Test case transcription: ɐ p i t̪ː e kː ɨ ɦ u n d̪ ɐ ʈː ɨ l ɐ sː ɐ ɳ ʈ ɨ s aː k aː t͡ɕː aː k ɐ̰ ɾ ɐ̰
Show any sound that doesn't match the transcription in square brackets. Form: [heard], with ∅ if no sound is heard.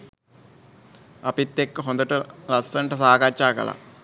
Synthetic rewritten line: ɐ p i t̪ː e kː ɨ ɦ [o] n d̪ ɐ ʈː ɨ l ɐ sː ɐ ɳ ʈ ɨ s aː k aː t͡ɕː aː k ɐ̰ [l] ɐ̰